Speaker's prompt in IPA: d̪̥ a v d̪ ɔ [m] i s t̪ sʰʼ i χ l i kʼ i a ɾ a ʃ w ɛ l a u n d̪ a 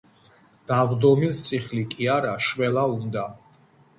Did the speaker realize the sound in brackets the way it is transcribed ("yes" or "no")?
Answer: yes